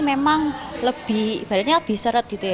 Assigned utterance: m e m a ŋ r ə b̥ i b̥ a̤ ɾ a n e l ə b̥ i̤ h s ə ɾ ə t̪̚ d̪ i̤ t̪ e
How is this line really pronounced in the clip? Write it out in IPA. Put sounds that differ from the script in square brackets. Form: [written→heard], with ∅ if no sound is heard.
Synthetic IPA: m e m a ŋ [r→l] ə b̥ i b̥ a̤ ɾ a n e l ə b̥ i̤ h s ə ɾ ə t̪̚ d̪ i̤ t̪ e